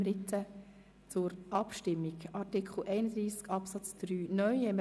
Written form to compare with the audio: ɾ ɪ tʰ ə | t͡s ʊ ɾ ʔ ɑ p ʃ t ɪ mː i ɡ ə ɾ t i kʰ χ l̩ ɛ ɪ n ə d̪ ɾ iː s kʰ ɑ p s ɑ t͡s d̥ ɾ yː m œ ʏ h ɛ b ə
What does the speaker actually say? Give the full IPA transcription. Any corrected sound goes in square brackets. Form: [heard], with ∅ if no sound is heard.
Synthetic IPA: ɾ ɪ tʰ ə | t͡s ʊ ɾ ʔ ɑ p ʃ t ɪ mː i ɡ [ɑ] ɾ t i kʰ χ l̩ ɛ ɪ n ə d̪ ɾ iː s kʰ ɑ p s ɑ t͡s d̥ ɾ yː [n] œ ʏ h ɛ [m] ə